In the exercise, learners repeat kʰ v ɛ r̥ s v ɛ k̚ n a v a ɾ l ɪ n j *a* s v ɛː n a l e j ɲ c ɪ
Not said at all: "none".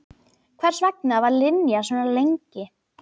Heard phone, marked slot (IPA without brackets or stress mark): a